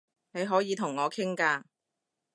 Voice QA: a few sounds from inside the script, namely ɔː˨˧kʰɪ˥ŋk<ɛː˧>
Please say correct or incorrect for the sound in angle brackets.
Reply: incorrect